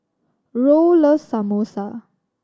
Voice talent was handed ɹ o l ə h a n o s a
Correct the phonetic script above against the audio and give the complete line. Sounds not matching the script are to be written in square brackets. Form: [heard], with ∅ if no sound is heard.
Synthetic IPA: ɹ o l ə [s] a [m] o s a